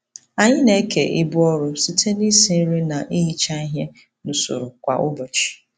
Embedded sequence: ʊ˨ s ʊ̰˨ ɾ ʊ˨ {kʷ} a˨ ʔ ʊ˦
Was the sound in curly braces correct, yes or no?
yes